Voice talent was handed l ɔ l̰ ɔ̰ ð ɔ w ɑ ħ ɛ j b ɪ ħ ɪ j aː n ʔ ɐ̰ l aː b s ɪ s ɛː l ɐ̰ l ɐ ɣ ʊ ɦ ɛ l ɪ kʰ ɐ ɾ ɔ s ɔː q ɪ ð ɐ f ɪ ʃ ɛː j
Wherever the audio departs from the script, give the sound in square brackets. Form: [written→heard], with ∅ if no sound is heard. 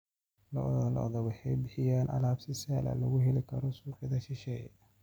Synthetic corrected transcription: l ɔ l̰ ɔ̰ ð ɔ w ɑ ħ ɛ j b ɪ ħ ɪ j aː n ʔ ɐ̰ l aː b s ɪ s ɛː l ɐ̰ l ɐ ɣ ʊ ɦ ɛ l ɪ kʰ ɐ ɾ ɔ s [ɔː→uː] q ɪ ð ɐ [f→ʃ] ɪ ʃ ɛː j